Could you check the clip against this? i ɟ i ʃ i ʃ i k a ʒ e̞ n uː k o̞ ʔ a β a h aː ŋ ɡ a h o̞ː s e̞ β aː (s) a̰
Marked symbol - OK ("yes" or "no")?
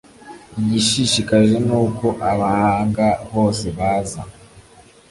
no